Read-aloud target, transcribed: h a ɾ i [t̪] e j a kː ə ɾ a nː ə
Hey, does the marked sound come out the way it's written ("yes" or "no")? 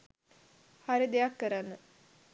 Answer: no